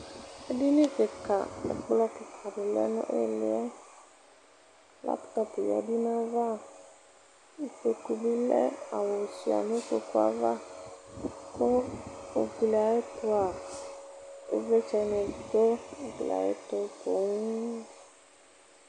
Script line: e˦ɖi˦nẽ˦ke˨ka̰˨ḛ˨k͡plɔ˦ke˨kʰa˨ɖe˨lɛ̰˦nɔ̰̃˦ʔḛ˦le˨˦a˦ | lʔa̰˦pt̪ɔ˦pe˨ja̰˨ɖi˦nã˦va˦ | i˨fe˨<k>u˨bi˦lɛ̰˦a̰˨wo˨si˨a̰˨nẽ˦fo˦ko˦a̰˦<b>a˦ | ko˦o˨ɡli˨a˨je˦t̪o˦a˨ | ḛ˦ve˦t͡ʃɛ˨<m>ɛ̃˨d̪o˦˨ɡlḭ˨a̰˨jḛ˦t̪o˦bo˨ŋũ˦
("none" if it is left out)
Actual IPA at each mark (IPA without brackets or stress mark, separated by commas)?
k, v, n